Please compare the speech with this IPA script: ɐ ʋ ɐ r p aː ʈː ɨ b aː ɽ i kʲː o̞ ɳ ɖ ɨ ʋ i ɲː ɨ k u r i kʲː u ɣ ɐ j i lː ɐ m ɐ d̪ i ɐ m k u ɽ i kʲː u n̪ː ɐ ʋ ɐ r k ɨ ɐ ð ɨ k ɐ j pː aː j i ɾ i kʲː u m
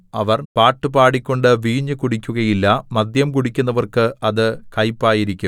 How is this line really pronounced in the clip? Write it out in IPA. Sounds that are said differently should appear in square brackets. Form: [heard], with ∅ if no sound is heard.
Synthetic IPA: ɐ ʋ ɐ r p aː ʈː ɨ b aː ɽ i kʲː o̞ ɳ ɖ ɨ ʋ [iː] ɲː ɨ k u [ɽ] i kʲː u ɣ ɐ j i lː ɐ m ɐ d̪ [j] ɐ m k u ɽ i kʲː u n̪ː ɐ ʋ ɐ r k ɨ ɐ ð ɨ k ɐ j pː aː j i ɾ i kʲː u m